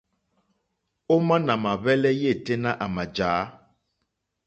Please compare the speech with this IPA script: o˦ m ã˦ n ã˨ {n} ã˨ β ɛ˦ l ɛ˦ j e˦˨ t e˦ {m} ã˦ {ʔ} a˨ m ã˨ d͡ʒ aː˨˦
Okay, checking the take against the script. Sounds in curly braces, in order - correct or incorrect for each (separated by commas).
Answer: incorrect, incorrect, correct